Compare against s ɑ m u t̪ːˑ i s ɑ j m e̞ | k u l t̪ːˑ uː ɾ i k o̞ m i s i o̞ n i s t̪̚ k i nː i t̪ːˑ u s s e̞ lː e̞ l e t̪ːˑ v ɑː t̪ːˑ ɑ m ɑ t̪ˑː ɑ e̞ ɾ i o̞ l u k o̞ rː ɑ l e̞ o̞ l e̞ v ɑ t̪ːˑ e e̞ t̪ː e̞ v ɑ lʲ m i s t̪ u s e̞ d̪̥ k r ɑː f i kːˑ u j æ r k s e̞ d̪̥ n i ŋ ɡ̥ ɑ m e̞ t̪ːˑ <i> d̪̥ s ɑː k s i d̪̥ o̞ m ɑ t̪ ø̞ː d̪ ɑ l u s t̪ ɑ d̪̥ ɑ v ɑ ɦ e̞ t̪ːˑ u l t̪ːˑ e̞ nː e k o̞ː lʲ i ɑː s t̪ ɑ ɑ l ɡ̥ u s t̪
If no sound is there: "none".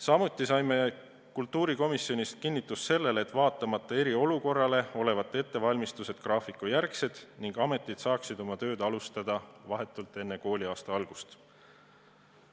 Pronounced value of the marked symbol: i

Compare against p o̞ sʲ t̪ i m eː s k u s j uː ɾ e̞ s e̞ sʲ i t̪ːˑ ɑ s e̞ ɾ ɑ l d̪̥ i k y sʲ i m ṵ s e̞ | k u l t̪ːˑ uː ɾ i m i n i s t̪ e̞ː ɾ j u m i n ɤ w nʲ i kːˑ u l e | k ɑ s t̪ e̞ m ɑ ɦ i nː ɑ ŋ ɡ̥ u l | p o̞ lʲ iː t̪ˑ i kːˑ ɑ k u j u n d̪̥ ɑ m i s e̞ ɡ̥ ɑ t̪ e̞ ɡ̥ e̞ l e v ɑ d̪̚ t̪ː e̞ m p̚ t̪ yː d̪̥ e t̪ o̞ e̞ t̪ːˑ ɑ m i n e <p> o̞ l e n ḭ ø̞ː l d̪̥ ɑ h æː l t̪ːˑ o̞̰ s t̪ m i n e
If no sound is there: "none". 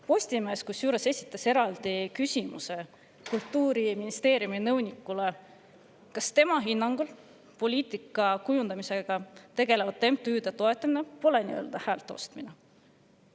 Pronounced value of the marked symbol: p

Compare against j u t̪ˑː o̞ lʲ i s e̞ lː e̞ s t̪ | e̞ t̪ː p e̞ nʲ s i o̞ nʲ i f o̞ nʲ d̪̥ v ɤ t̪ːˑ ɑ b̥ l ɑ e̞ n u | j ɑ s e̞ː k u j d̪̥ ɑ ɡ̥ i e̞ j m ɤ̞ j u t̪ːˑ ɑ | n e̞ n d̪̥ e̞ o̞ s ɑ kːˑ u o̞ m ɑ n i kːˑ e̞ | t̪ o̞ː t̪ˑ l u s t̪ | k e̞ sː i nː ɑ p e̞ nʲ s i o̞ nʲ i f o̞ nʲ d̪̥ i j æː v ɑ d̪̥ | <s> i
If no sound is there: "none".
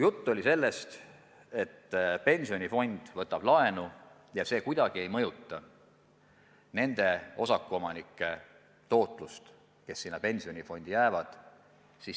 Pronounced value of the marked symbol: s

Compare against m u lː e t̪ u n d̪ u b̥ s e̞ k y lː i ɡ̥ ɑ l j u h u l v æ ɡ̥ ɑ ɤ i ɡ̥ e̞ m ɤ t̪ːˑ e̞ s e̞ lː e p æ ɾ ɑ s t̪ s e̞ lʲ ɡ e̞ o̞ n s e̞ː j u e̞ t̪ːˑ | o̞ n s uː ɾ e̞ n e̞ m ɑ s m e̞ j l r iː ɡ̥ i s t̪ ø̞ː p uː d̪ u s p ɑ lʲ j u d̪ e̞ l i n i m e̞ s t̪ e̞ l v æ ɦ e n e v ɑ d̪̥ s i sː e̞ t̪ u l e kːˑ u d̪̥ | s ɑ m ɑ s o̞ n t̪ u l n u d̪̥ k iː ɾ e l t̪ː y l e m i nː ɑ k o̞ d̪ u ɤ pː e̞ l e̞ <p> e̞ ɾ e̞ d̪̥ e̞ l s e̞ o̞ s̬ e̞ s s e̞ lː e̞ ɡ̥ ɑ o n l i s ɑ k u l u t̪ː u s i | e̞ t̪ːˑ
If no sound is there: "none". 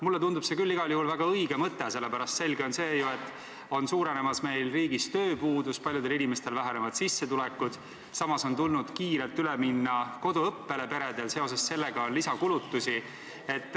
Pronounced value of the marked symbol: p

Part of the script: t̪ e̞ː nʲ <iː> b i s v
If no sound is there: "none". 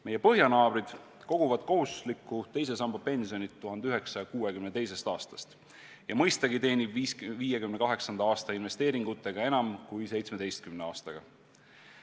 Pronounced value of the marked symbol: i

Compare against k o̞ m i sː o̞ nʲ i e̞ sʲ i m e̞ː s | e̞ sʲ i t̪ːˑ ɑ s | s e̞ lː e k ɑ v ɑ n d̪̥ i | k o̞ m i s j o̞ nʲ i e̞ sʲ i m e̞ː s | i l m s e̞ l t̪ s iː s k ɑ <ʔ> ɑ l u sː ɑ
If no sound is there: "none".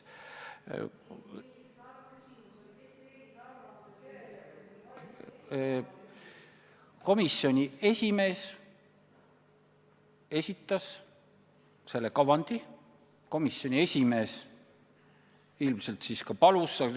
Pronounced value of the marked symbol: p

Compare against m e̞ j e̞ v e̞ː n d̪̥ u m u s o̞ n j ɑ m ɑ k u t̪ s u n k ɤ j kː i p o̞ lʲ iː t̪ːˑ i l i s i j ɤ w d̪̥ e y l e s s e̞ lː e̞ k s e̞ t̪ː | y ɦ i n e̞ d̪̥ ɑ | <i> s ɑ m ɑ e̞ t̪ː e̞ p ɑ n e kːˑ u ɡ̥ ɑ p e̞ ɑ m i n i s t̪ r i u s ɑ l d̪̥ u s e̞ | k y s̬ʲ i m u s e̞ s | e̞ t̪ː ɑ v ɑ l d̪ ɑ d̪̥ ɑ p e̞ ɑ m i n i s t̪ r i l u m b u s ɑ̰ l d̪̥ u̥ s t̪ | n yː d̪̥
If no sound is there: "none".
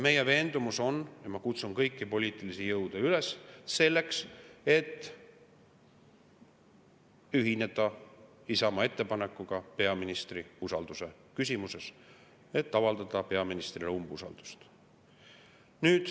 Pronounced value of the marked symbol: i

